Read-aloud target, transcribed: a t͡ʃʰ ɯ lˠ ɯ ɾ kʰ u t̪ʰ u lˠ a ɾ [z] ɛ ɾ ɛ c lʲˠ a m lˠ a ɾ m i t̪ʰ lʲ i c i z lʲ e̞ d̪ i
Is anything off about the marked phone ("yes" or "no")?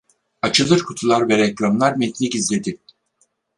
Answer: yes